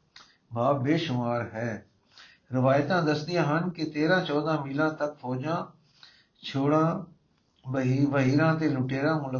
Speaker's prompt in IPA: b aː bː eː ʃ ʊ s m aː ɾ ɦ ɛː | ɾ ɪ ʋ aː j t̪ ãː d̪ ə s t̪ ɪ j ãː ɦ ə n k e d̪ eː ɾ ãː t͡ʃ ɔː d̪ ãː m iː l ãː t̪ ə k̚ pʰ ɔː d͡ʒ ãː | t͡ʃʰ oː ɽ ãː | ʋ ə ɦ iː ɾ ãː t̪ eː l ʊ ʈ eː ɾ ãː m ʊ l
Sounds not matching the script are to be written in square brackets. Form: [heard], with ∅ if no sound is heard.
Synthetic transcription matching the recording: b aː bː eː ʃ ʊ [∅] m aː ɾ ɦ ɛː | ɾ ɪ ʋ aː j t̪ ãː d̪ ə s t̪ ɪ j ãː ɦ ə n k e [t̪] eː ɾ ãː t͡ʃ ɔː d̪ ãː m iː l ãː t̪ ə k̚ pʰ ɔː d͡ʒ ãː | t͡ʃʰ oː ɽ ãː | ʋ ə ɦ iː ɾ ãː t̪ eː l ʊ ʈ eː ɾ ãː m ʊ l